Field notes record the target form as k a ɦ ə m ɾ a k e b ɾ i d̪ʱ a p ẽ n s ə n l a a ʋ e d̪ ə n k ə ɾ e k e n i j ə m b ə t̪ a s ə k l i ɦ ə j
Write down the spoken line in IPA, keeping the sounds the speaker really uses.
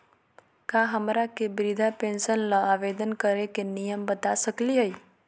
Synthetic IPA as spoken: k a ɦ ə m ɾ a k e b ɾ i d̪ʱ a p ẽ n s ə n l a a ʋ e d̪ ə n k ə ɾ e k e n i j ə m b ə t̪ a s ə k l i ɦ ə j